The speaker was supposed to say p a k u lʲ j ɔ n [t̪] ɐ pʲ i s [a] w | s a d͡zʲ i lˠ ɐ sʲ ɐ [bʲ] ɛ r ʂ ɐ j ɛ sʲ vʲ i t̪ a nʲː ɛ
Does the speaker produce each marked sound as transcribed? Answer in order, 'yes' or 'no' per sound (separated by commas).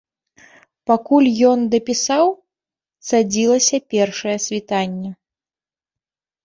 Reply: no, yes, no